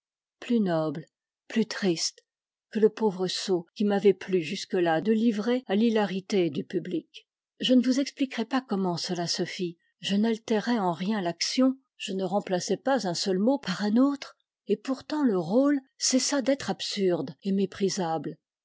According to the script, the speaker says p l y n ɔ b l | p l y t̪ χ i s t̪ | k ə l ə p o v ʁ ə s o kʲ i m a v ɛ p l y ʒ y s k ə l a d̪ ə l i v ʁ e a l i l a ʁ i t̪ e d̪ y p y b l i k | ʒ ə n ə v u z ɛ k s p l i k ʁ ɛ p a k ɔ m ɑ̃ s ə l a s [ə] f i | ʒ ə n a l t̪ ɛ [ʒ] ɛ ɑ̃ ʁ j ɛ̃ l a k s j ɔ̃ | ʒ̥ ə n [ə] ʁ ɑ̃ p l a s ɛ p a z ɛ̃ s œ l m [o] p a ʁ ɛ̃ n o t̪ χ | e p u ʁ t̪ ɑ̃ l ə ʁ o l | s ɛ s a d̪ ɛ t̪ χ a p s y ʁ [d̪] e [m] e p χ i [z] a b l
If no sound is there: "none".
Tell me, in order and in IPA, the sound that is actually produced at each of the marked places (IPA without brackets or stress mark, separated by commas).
ə, ʁ, ə, o, d̪, m, z